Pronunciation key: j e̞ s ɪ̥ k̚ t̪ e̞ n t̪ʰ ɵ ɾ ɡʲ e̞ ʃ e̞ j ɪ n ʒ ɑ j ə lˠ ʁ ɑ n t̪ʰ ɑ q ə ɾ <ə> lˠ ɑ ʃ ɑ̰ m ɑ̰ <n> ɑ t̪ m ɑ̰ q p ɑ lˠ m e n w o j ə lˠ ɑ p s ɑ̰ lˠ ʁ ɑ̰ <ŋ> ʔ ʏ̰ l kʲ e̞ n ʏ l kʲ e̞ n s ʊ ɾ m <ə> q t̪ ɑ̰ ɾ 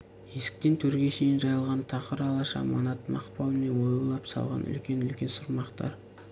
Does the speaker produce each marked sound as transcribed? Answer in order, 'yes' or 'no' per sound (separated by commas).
no, yes, no, no